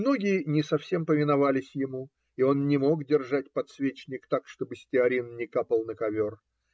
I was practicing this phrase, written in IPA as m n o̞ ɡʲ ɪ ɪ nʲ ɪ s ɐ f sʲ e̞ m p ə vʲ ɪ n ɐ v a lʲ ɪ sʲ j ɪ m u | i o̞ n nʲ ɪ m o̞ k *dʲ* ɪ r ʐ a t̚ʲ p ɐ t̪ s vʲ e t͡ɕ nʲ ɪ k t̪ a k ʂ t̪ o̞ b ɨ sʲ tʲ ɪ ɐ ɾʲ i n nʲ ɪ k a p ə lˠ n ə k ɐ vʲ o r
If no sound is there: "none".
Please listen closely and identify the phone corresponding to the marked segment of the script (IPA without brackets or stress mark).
dʲ